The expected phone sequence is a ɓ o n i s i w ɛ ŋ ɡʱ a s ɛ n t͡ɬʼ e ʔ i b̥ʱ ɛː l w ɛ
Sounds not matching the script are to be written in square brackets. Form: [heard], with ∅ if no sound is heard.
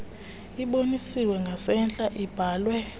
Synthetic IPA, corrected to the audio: [i] ɓ o n i s i w ɛ ŋ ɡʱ a s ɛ n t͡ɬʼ [a] ʔ i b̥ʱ [aː] l w ɛ